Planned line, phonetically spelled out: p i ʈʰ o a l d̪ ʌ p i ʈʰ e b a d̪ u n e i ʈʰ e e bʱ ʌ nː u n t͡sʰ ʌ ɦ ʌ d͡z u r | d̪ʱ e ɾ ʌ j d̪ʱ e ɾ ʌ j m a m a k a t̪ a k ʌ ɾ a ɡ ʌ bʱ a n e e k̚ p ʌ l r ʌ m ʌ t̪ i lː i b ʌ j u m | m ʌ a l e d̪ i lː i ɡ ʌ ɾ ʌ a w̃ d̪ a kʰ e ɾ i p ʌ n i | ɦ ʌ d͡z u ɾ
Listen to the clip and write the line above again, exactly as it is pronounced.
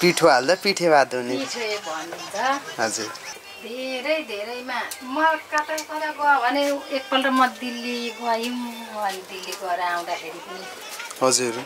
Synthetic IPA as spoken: p i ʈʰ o a l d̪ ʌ p i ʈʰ e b a d̪ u n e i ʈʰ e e bʱ ʌ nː u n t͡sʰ ʌ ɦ ʌ d͡z u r | d̪ʱ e ɾ ʌ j d̪ʱ e ɾ ʌ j m a m ʌ k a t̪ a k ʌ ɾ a ɡ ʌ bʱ ʌ n e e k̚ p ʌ l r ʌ m ʌ d̪ i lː i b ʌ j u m | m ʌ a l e d̪ i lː i ɡ ʌ ɾ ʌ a w̃ d̪ a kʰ e ɾ i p ʌ n i | ɦ ʌ d͡z u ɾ